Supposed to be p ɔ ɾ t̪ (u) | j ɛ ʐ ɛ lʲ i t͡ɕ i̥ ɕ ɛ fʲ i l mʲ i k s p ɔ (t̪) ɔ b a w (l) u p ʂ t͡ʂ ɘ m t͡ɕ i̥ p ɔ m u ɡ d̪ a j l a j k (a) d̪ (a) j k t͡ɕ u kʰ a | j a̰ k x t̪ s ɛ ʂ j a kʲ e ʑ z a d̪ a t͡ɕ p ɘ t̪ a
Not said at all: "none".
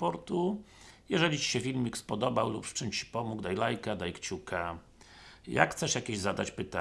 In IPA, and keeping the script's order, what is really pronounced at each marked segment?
u, d̪, l, a, a

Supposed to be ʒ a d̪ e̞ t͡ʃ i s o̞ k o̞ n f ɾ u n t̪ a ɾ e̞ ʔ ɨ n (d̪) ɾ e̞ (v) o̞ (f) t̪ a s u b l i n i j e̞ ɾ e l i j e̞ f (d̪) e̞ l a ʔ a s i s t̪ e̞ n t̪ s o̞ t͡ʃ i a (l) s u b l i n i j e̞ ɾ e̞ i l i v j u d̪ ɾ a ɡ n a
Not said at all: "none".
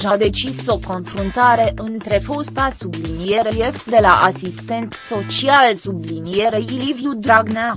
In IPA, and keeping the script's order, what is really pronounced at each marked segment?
t̪, f, s, d̪, l

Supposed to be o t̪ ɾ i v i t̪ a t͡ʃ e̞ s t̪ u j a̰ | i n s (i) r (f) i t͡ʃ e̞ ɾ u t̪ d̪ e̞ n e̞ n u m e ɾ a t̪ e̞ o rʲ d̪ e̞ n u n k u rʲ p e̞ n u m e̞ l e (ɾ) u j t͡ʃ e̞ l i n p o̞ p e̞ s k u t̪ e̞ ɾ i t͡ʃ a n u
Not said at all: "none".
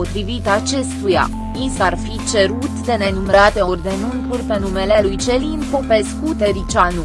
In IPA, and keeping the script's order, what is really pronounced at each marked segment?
a, f, l

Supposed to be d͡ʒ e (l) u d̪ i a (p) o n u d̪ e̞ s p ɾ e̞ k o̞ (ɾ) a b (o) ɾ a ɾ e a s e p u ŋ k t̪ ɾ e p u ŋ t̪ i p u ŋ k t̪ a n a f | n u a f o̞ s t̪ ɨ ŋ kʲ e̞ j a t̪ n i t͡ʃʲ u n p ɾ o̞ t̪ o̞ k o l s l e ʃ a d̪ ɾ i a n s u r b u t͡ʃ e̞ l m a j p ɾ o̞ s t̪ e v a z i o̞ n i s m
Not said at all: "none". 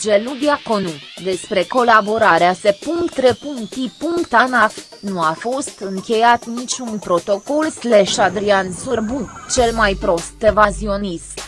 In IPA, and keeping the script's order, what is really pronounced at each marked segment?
l, k, l, o

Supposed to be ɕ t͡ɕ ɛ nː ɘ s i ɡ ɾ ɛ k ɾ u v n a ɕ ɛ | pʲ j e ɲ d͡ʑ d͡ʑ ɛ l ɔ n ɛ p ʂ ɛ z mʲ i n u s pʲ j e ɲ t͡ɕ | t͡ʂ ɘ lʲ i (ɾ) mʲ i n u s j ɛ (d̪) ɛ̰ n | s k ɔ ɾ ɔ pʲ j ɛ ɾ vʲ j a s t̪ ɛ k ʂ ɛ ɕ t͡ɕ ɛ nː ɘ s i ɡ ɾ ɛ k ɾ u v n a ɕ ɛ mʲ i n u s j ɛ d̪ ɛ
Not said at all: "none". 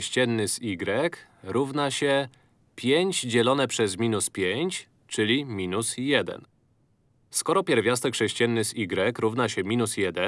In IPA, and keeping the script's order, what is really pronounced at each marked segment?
none, d̪

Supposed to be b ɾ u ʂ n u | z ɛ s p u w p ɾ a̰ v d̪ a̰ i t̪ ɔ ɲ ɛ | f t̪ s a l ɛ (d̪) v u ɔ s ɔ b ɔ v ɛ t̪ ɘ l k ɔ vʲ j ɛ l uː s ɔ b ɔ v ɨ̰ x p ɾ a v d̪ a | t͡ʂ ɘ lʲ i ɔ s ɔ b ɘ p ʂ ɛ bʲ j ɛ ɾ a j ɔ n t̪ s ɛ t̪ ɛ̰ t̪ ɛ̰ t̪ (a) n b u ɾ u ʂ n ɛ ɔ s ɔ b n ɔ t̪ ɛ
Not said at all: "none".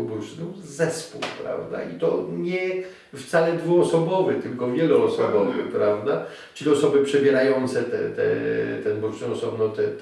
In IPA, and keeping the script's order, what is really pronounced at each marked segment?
d̪, ɛ

